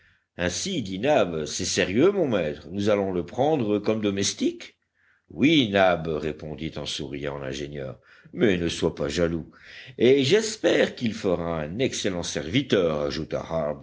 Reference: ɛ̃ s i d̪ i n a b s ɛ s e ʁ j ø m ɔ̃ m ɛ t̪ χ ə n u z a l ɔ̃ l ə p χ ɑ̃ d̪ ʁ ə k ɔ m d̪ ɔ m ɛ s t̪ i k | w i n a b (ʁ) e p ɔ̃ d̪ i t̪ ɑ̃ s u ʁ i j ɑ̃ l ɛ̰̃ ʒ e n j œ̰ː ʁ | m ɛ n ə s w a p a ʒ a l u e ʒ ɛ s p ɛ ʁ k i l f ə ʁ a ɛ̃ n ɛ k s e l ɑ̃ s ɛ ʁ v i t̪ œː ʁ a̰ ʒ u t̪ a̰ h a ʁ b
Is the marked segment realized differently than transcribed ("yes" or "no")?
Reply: no